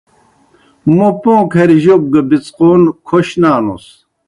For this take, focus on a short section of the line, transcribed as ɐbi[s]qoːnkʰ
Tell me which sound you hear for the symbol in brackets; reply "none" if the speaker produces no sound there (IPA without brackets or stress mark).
t͡s